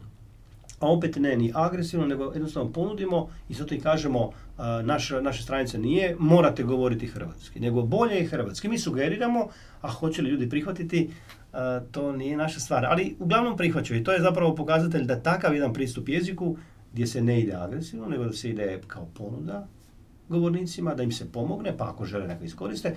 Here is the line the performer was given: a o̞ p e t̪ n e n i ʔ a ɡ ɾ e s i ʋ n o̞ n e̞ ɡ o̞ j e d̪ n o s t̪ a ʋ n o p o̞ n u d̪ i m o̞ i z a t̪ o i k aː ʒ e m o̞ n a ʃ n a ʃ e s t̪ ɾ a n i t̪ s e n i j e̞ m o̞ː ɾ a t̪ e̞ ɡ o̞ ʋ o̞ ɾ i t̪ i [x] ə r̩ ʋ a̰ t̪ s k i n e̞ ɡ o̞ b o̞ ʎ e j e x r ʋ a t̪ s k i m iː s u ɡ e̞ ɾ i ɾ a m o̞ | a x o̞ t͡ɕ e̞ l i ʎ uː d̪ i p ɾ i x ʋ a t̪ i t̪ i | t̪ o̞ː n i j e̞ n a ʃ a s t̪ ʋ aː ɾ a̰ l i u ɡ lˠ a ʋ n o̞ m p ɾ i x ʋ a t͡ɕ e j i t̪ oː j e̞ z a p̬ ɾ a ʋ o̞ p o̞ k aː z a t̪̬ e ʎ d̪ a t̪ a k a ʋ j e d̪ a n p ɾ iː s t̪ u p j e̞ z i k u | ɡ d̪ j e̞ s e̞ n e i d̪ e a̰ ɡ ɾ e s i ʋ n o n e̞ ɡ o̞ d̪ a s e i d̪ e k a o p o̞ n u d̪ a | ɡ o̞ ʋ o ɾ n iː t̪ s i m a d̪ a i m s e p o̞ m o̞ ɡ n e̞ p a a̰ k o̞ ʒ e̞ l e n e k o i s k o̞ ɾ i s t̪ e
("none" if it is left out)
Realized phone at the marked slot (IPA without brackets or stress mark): x